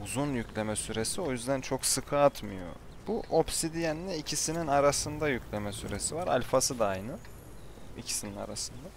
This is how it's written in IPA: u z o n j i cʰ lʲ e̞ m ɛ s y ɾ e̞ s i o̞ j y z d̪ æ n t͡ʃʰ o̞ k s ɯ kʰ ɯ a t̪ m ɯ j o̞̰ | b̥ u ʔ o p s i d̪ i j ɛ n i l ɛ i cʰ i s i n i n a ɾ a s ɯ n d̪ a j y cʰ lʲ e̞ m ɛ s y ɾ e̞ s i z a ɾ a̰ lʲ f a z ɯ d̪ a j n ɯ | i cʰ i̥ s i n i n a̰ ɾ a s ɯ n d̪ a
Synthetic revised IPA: u z u n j y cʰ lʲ e̞ m ɛ s y ɾ e̞ s i o̞ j y z d̪ æ n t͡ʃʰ o̞ k s ɯ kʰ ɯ a t̪ m ɯ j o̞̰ | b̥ u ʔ o p s i d̪ i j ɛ n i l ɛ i cʰ i s i n i n a ɾ a s ɯ n d̪ a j y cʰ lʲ e̞ m ɛ s y ɾ e̞ s i v a ɾ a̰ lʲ f a s ɯ d̪ a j n ɯ | i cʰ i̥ s i n i n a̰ ɾ a s ɯ n d̪ a

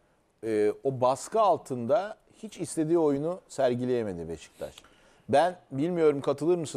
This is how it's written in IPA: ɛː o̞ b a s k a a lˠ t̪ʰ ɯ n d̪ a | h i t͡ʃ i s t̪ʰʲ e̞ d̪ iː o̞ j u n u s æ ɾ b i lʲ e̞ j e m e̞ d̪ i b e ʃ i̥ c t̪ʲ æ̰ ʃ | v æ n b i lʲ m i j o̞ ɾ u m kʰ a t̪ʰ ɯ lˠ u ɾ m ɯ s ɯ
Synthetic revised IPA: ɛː o̞ b a s k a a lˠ t̪ʰ ɯ n d̪ a | h i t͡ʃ i s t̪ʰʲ e̞ d̪ iː o̞ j u n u s æ ɾ ɟ i lʲ e̞ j e m e̞ d̪ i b e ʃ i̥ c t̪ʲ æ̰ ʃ | b æ n b i lʲ m i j o̞ ɾ u m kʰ a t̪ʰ ɯ lˠ ɯ ɾ m ɯ s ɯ

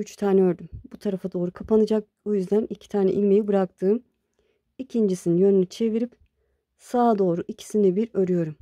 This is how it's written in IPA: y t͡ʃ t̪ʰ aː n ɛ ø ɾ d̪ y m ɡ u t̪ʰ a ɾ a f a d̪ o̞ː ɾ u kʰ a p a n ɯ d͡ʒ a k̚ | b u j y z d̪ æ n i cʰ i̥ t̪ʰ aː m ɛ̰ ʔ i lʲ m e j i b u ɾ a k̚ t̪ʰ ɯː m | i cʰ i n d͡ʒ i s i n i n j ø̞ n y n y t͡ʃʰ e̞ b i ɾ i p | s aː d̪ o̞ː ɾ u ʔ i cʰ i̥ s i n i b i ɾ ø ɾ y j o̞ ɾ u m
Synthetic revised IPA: y t͡ʃ t̪ʰ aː n ɛ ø ɾ d̪ y m b u t̪ʰ a ɾ a f a d̪ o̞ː ɾ u kʰ a p a n ɯ d͡ʒ a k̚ | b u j y z d̪ æ n i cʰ i̥ t̪ʰ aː n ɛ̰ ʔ i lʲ m e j i b ɯ ɾ a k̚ t̪ʰ ɯː m | i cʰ i n d͡ʒ i s i n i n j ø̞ n y n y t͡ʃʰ e̞ v i ɾ i p | s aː d̪ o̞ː ɾ u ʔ i cʰ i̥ s i n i b i ɾ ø ɾ y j o̞ ɾ u m

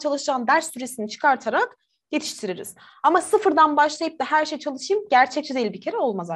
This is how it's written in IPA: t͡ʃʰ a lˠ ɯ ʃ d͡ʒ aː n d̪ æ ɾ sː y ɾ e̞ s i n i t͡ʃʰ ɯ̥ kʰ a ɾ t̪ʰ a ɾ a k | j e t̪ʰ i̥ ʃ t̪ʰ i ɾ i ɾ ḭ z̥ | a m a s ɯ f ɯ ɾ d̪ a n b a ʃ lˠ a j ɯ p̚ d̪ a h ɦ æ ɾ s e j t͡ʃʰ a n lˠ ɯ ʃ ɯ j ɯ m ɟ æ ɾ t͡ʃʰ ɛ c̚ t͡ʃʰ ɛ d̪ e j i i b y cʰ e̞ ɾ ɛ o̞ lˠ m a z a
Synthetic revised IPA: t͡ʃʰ a lˠ ɯ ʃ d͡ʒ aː n d̪ æ ɾ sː y ɾ e̞ s i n i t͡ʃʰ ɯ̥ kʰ a ɾ t̪ʰ a ɾ a k | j e t̪ʰ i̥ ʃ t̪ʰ i ɾ i ɾ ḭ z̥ | a m a s ɯ f ɯ ɾ d̪ a n b a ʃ lˠ a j ɯ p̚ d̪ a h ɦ æ ɾ ʃ e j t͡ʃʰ a lˠ ɯ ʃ ɯ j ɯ m ɟ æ ɾ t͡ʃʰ ɛ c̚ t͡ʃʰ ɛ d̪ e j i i b i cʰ e̞ ɾ ɛ o̞ lˠ m a z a

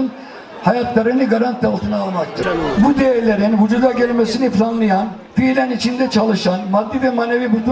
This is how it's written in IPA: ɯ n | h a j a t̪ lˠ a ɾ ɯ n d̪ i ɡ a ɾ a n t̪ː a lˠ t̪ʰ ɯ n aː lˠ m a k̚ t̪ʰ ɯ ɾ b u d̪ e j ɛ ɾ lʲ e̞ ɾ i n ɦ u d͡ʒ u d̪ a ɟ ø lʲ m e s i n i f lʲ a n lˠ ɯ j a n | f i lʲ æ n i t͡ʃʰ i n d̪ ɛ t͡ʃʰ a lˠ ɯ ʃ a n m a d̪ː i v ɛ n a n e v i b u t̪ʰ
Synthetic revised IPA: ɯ n | h a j a t̪ lˠ a ɾ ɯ n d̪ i ɡ a ɾ a n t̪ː a lˠ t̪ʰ ɯ n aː lˠ m a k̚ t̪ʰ ɯ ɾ b u d̪ e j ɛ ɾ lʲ e̞ ɾ i n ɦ u d͡ʒ u d̪ a ɟ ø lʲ m e s i n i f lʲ a n lˠ ɯ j a n | f i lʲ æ n i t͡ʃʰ i n d̪ ɛ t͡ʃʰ a lˠ ɯ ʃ a n m a d̪ː i v ɛ m a n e v i b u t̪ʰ

